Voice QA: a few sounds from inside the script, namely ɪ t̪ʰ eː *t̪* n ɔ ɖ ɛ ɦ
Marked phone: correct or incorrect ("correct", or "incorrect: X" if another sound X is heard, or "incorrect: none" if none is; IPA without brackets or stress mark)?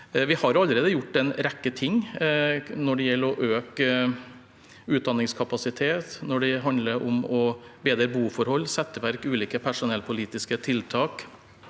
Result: correct